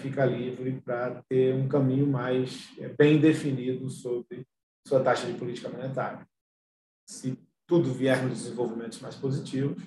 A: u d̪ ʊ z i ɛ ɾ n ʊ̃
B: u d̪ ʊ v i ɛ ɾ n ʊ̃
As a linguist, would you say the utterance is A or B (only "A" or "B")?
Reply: B